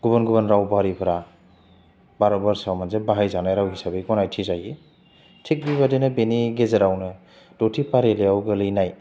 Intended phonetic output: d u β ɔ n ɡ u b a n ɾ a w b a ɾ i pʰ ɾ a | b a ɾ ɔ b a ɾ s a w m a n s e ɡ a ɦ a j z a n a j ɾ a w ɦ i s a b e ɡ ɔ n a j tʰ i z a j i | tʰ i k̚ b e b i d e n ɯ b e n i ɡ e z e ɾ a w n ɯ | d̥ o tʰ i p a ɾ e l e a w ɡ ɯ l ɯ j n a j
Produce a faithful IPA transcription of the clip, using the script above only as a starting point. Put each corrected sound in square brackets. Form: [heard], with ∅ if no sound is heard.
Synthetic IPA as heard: [ɡ] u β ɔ n ɡ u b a n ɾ a w b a ɾ i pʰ ɾ a | b a ɾ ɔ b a ɾ s a w m a n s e [b] a ɦ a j z a n a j ɾ a w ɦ i s a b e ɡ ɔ n a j tʰ i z a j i | tʰ i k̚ b [i] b [a] d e n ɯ b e n i ɡ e z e ɾ a w n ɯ | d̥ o tʰ i p a ɾ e l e a w ɡ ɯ l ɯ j n a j